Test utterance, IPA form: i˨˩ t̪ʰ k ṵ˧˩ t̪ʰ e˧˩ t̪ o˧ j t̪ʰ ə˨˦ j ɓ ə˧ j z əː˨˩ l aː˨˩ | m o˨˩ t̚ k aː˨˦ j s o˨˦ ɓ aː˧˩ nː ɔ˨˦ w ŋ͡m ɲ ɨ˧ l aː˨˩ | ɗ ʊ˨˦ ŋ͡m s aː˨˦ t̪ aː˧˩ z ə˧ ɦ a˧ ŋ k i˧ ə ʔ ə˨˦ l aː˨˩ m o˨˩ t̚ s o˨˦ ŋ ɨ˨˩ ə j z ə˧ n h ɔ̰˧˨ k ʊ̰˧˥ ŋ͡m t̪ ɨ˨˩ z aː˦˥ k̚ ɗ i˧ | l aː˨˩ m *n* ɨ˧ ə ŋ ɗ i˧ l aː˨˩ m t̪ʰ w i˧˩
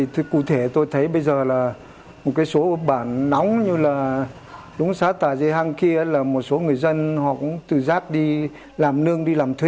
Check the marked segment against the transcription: correct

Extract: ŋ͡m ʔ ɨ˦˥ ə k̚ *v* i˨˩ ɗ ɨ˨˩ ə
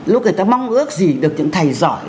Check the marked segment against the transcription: incorrect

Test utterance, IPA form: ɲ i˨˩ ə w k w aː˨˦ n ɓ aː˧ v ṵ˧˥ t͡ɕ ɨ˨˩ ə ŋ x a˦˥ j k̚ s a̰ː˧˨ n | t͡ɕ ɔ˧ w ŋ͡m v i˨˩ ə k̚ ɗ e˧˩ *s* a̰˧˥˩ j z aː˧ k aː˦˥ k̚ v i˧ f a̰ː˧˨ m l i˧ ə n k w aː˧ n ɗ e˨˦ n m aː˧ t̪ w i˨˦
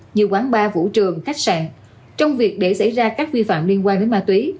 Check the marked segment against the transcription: correct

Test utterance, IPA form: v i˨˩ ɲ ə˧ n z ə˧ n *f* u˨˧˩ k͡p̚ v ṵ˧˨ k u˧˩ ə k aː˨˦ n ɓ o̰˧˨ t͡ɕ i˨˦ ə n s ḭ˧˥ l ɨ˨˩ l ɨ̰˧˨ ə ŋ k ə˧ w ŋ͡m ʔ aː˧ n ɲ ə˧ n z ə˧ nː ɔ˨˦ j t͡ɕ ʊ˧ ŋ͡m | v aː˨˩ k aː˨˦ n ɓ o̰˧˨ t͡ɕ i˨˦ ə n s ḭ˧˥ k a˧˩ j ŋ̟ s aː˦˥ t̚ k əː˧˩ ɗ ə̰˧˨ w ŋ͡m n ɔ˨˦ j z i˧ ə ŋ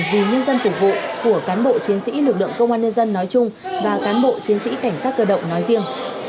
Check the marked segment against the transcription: correct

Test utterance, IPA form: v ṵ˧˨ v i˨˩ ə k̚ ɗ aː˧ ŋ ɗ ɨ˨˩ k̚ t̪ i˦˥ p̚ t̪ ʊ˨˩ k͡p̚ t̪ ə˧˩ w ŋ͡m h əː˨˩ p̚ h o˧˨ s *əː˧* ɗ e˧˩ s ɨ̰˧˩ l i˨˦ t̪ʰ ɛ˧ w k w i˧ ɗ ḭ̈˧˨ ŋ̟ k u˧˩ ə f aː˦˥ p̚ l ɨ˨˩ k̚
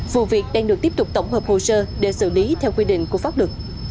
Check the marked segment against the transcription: correct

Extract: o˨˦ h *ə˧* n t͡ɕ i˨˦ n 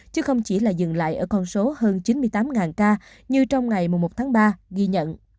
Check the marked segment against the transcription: incorrect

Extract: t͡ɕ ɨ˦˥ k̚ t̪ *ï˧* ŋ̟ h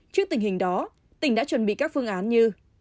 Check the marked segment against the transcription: incorrect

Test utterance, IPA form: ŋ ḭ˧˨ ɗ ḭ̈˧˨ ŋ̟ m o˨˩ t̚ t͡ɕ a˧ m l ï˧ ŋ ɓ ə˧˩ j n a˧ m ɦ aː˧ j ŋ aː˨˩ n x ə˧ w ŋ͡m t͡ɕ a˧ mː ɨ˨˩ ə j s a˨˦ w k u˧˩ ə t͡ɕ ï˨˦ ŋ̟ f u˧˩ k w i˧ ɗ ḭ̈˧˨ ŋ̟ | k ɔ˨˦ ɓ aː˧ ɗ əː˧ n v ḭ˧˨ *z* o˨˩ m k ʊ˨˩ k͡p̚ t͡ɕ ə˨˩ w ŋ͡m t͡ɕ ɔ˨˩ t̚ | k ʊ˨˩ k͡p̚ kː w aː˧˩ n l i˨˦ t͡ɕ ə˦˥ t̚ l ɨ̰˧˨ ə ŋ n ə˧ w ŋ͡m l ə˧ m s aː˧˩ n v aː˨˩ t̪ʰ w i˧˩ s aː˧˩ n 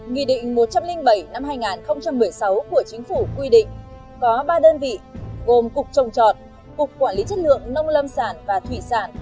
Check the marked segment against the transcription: incorrect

